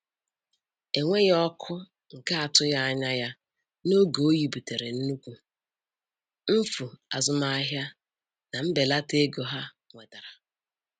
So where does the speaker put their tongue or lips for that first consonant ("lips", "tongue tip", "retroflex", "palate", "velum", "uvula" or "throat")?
velum